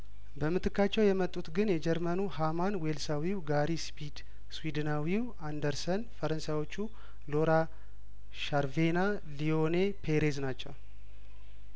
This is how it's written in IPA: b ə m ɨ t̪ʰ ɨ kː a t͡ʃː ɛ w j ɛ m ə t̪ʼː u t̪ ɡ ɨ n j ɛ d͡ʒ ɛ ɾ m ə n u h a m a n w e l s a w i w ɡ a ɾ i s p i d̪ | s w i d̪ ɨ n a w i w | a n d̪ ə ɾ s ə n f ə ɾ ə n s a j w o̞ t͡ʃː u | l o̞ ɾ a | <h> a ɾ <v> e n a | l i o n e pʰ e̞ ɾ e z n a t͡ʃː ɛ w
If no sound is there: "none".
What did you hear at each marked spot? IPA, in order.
ʃ, v

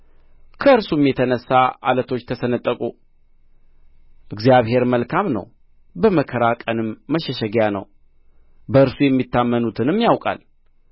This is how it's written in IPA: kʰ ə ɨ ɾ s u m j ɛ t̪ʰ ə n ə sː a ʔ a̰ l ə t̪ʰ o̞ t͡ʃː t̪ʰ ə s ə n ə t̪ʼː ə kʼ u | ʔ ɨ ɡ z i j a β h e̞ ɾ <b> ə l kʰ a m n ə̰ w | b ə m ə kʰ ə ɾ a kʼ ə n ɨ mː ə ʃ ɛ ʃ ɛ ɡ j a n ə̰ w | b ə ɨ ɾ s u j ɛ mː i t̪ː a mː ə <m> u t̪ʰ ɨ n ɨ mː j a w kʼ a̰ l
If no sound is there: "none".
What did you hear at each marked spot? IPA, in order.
m, n

